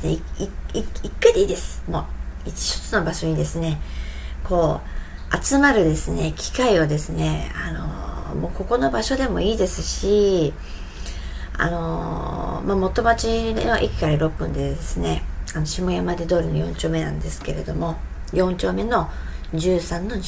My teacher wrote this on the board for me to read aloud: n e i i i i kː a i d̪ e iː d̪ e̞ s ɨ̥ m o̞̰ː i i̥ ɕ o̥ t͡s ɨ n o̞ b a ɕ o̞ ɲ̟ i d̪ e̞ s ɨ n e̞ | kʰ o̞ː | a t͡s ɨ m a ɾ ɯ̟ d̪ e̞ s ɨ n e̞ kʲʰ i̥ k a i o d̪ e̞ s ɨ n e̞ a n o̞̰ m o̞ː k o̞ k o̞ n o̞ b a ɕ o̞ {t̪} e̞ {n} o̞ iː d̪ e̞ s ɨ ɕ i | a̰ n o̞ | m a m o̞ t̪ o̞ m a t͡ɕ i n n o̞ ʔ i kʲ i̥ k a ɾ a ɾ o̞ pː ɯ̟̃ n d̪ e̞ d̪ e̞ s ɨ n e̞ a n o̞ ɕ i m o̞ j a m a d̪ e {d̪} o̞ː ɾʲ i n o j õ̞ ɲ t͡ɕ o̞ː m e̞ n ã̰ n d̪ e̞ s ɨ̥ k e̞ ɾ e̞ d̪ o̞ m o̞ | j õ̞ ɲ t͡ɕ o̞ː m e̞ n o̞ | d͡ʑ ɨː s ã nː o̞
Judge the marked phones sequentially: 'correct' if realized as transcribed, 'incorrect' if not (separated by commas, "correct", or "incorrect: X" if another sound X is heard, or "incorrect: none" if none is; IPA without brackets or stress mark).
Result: incorrect: d̪, incorrect: m, correct